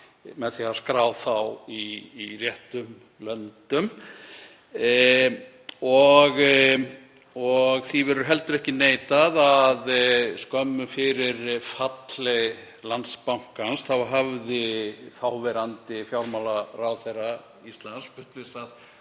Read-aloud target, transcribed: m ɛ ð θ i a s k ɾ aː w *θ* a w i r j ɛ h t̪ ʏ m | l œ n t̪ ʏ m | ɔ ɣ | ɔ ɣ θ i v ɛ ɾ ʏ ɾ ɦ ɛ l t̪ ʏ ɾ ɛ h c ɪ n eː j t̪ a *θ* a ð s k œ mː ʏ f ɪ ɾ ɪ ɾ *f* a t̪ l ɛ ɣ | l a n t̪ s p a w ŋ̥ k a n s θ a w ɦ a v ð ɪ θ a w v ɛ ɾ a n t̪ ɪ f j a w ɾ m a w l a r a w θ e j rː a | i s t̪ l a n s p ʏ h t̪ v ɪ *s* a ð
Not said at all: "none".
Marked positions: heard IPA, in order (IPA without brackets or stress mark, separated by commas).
θ, ð, f, s